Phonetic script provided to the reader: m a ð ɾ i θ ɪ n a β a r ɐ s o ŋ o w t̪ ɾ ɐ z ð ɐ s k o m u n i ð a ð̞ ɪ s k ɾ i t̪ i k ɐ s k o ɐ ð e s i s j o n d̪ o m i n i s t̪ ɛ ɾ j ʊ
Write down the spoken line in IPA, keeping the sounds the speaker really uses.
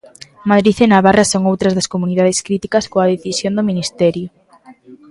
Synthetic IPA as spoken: m a ð ɾ i θ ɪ n a β a r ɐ s o ŋ o w t̪ ɾ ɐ z ð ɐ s k o m u n i ð a ð̞ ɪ s k ɾ i t̪ i k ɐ s k o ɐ ð e θ i s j o n d̪ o m i n i s t̪ ɛ ɾ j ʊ